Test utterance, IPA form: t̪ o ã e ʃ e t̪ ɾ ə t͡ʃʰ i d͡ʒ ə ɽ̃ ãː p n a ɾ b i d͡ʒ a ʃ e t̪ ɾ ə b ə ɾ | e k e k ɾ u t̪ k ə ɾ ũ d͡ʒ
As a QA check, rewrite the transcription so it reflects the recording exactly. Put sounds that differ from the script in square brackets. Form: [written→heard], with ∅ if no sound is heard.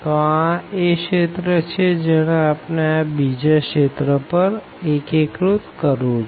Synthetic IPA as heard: t̪ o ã e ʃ e t̪ ɾ ə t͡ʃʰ [i→e] d͡ʒ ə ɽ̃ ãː p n a [ɾ→∅] b i d͡ʒ a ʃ e t̪ ɾ ə [b→p] ə ɾ | e k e k ɾ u t̪ k ə ɾ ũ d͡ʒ